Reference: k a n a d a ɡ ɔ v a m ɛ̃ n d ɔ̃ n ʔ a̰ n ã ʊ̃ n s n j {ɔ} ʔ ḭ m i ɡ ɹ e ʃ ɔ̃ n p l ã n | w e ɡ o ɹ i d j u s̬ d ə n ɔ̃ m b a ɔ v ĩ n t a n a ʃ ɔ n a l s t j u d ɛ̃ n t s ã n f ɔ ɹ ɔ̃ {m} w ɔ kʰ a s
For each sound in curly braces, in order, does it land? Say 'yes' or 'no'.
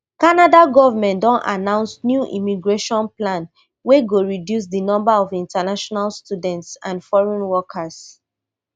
no, no

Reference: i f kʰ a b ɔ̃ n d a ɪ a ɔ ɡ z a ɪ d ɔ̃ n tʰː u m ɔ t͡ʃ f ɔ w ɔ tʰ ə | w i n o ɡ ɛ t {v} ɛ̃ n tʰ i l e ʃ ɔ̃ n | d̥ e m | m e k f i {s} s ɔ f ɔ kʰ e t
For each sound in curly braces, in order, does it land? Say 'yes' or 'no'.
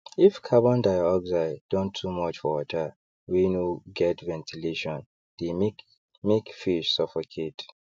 yes, no

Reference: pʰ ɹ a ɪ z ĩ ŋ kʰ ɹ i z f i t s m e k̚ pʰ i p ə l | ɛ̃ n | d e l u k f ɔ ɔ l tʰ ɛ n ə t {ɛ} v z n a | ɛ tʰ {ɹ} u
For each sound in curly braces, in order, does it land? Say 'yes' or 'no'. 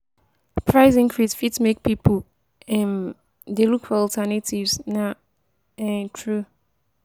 no, yes

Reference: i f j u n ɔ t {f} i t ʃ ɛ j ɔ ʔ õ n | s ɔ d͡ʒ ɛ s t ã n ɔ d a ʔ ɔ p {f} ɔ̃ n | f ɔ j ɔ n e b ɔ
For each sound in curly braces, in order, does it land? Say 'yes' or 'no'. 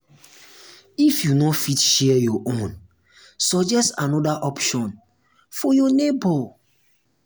yes, no

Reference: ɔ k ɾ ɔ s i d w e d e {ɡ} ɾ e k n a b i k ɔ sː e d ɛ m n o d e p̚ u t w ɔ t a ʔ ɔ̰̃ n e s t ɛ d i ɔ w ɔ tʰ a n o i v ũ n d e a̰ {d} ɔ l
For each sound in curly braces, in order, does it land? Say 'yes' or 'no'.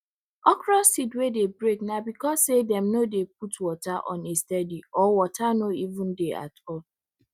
no, no

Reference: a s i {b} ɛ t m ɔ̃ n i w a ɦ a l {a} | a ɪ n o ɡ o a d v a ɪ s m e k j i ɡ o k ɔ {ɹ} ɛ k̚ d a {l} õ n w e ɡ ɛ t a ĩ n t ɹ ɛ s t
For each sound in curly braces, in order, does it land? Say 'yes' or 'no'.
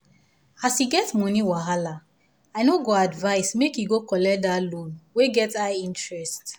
no, yes, no, yes

